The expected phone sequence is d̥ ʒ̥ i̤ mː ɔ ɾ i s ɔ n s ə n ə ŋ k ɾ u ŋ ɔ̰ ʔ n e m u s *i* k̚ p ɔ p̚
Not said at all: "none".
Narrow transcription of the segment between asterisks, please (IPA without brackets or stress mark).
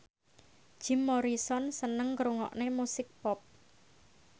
ɪ